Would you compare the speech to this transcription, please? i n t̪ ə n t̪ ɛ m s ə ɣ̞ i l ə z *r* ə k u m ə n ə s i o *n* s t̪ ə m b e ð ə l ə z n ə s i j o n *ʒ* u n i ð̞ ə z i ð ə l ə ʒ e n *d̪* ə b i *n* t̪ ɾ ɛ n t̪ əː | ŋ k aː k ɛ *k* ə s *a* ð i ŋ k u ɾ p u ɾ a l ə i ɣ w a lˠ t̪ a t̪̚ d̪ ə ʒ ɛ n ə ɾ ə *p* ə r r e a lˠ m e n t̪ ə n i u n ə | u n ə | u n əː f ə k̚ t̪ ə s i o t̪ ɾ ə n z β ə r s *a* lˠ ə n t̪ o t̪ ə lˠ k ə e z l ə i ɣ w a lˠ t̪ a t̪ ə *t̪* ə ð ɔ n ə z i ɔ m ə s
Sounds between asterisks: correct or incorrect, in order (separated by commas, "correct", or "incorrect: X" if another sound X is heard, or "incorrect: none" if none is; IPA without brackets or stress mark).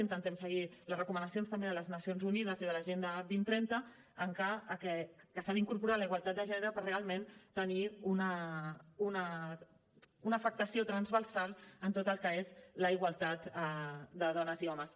correct, correct, incorrect: z, correct, correct, correct, correct, correct, correct, incorrect: d̪